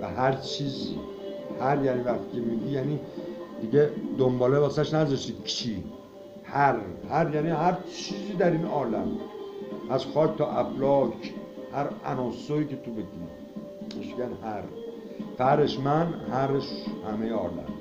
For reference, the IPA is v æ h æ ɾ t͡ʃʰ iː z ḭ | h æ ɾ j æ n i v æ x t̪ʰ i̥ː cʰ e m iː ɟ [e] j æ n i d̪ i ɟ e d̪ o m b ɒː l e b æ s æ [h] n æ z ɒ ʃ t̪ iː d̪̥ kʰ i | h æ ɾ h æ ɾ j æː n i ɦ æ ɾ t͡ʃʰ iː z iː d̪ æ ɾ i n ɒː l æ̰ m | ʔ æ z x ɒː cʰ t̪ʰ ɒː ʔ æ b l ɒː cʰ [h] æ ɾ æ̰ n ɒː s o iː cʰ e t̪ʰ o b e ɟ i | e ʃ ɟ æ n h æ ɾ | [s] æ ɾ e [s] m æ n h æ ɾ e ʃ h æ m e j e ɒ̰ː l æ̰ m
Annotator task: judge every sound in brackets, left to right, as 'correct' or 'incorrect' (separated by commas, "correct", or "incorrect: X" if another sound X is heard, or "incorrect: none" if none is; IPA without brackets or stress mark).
incorrect: i, incorrect: ʃ, correct, incorrect: f, incorrect: ʃ